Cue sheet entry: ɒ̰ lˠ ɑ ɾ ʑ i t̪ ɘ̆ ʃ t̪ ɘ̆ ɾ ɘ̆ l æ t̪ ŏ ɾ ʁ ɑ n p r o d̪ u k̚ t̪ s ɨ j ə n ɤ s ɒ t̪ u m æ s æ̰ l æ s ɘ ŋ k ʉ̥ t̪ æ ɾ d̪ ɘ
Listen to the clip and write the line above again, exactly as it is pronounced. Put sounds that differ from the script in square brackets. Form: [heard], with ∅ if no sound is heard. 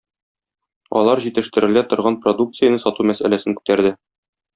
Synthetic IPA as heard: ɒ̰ lˠ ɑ ɾ ʑ i t̪ ɘ̆ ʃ t̪ ɘ̆ ɾ ɘ̆ l æ t̪ ŏ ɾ ʁ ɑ n p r o d̪ u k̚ t̪ s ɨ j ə n ɤ s ɒ t̪ u m æ s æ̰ l æ s ɘ ŋ k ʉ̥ t̪ æ ɾ d̪ ɘ